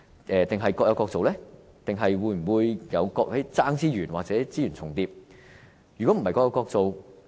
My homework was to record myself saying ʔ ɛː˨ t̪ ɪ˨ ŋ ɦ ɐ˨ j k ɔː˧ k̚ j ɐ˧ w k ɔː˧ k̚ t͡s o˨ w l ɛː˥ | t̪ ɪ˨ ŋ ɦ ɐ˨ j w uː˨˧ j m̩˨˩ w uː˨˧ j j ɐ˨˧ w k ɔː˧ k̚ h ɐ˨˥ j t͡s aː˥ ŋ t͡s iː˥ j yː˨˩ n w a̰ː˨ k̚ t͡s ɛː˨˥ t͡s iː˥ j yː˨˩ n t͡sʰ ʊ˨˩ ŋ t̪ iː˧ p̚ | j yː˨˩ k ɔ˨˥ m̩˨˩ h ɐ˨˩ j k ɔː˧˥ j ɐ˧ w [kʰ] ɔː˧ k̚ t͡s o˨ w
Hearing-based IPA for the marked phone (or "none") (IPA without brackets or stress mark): k